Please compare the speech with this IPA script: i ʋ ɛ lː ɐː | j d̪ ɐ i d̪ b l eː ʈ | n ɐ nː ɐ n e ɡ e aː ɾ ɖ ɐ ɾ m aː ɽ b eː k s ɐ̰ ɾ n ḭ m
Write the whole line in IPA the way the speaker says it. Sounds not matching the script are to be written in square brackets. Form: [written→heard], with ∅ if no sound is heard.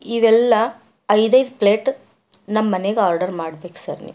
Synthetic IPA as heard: i ʋ ɛ lː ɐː | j d̪ ɐ [i→j] d̪ [b→p] l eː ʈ | n ɐ [nː→mː] ɐ n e ɡ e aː ɾ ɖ ɐ ɾ m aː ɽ b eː k s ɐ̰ ɾ n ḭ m